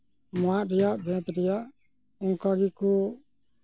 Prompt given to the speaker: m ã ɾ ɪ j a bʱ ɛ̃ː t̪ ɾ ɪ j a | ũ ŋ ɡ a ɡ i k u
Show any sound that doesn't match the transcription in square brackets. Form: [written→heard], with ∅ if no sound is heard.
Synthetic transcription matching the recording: m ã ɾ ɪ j a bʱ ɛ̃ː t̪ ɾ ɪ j a | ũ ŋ [ɡ→k] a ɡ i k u